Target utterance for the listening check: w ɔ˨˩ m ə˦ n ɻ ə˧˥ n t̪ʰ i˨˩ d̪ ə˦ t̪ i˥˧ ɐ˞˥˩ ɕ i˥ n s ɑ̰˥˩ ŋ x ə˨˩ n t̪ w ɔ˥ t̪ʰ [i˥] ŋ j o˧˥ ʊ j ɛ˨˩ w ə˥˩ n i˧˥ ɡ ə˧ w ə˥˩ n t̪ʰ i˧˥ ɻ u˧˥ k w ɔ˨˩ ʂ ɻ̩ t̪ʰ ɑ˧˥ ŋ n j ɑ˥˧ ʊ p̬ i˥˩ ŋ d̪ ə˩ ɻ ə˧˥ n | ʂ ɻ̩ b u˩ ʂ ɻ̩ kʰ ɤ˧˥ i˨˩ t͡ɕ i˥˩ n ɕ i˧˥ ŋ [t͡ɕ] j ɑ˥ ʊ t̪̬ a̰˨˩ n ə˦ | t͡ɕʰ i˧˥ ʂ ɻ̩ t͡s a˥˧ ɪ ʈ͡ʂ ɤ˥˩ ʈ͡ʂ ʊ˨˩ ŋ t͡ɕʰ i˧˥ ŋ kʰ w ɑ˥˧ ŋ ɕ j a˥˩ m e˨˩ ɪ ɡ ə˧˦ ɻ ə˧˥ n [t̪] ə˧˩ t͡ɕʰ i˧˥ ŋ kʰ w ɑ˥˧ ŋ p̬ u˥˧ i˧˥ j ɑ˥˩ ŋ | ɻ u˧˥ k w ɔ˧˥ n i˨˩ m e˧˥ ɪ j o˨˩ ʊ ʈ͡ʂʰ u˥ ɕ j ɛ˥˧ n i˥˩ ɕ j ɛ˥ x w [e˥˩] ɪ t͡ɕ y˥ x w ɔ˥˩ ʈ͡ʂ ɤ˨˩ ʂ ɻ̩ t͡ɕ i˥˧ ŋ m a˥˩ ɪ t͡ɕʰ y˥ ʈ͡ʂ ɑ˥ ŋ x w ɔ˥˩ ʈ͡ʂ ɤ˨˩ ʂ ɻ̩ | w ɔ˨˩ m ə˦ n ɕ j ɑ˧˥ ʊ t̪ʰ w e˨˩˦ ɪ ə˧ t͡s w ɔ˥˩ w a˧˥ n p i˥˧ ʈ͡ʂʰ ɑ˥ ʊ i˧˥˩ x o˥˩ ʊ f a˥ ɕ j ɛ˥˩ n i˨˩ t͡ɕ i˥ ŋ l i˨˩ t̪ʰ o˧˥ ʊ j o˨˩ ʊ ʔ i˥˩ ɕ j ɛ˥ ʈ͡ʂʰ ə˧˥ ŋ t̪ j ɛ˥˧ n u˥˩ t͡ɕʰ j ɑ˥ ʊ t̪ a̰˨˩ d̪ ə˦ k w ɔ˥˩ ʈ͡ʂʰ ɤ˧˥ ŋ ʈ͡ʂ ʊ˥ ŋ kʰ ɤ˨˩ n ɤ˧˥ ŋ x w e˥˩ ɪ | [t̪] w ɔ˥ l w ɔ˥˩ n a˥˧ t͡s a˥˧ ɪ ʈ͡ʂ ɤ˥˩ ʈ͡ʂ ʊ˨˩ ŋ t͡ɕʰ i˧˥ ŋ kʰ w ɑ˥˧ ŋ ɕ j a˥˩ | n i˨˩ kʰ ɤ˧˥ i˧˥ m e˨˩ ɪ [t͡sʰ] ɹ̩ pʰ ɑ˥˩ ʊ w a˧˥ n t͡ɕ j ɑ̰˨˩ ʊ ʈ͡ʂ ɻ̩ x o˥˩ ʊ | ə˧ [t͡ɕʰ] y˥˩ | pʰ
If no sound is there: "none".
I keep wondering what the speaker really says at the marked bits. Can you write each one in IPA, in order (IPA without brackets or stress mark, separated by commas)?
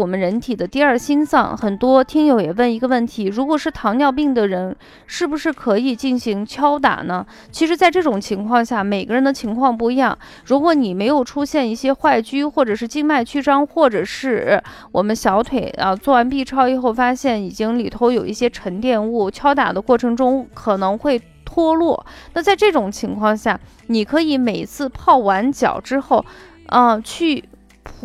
i˥, t͡ɕʰ, d̪, a˥˩, t̪ʰ, t͡sʰ, t͡ɕʰ